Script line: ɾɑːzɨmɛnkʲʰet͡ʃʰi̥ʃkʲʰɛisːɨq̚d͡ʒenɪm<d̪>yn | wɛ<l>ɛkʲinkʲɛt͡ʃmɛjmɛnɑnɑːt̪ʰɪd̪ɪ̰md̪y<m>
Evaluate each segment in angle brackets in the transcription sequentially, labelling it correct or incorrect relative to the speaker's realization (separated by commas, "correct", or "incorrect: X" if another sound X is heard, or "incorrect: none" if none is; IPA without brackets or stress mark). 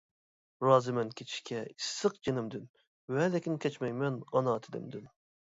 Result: correct, correct, incorrect: n